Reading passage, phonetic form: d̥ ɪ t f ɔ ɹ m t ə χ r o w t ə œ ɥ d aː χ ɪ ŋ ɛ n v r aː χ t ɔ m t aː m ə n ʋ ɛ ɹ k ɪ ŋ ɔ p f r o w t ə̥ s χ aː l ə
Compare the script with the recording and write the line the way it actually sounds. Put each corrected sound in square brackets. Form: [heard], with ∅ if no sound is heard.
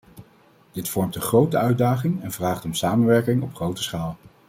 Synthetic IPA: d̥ ɪ t f ɔ ɹ m t ə χ r o w t ə œ ɥ d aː χ ɪ ŋ ɛ n v r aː χ t ɔ m [s] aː m ə n ʋ ɛ ɹ k ɪ ŋ ɔ p [χ] r o w t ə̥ s χ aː l ə